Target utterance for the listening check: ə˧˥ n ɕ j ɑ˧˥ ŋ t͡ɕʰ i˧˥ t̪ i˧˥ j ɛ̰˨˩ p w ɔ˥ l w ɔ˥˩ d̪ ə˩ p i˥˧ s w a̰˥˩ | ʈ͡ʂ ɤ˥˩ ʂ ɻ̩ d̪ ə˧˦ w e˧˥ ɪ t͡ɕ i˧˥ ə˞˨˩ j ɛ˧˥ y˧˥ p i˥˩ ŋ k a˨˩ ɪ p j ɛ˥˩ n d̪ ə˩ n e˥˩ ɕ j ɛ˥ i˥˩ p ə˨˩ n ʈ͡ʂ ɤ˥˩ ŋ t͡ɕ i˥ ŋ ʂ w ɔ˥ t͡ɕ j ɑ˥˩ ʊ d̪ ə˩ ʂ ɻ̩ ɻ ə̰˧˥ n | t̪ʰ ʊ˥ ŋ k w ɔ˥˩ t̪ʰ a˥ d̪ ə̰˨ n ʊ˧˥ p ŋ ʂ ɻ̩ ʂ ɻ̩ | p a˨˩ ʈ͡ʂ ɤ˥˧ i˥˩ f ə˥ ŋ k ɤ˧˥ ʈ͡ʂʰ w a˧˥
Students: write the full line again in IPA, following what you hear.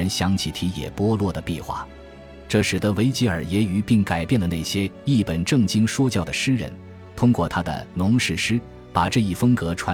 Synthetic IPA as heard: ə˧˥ n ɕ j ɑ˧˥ ŋ t͡ɕʰ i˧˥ t̪ʰ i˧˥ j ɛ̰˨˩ p w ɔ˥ l w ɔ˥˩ d̪ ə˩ p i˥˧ x w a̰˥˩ | ʈ͡ʂ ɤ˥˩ ʂ ɻ̩ d̪ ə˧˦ w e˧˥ ɪ t͡ɕ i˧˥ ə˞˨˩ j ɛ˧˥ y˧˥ p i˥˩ ŋ k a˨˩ ɪ p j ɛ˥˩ n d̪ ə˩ n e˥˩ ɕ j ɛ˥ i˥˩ p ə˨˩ n ʈ͡ʂ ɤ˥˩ ŋ t͡ɕ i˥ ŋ ʂ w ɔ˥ t͡ɕ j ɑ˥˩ ʊ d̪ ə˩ ʂ ɻ̩ ɻ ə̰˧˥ n | t̪ʰ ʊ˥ ŋ k w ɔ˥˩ t̪ʰ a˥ d̪ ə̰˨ n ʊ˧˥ ŋ ʂ ɻ̩ ʂ ɻ̩ | p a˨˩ ʈ͡ʂ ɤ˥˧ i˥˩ f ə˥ ŋ k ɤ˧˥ ʈ͡ʂʰ w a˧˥